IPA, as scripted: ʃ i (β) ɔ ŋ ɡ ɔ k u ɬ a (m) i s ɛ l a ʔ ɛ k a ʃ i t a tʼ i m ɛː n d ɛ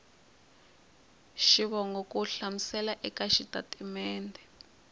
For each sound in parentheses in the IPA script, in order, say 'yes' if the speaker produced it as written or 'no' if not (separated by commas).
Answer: yes, yes